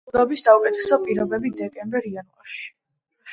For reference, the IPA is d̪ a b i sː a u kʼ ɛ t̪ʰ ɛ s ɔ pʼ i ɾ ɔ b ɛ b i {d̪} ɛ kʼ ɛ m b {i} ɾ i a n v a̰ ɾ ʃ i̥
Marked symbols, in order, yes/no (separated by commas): yes, no